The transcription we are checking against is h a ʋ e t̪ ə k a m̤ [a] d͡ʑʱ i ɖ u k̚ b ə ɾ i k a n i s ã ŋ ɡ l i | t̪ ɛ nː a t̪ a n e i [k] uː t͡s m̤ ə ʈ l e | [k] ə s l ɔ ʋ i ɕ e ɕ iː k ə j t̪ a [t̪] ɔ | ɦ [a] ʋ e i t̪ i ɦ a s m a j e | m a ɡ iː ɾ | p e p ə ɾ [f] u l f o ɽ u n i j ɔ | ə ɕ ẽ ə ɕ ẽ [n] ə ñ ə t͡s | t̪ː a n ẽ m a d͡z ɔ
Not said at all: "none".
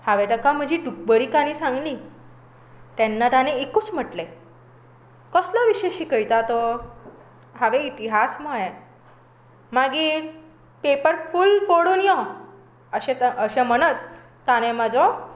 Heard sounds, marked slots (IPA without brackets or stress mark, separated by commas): ə, k, k, t̪, a, f, m